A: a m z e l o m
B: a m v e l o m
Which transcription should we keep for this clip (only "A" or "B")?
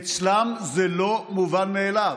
A